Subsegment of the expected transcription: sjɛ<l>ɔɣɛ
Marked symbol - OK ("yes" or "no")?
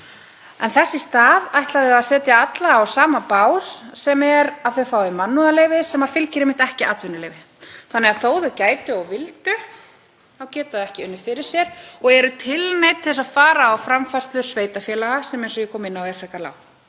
no